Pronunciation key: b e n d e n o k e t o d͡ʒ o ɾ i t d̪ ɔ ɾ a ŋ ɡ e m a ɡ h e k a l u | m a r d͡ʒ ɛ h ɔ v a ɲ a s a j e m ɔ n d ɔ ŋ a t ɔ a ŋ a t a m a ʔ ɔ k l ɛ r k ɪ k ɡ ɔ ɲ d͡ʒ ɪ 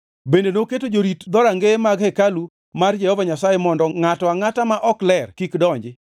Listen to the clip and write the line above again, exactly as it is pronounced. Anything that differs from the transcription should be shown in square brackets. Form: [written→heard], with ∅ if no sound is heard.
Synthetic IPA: b e n d e n o k e t o d͡ʒ o ɾ i t d̪ ɔ ɾ a ŋ ɡ e m a ɡ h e k a l u | m a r d͡ʒ ɛ h ɔ v a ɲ a s a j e m ɔ n d ɔ ŋ a t ɔ a ŋ a t a m a ʔ ɔ k l ɛ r k [ɪ→i] k [ɡ→d] ɔ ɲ d͡ʒ ɪ